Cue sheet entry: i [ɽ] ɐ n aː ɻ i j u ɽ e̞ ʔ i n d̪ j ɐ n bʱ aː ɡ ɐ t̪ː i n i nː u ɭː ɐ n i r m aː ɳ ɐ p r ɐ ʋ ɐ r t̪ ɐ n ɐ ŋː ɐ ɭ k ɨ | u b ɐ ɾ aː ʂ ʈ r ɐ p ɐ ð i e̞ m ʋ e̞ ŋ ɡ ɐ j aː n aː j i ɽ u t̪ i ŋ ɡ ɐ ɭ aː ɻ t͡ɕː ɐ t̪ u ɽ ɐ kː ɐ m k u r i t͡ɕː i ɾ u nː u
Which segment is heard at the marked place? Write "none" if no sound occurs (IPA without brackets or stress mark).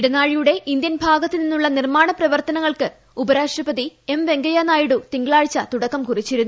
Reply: ɽ